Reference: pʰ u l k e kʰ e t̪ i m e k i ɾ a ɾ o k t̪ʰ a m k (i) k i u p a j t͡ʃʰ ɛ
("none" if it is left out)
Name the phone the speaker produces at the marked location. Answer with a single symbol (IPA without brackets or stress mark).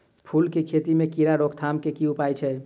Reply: e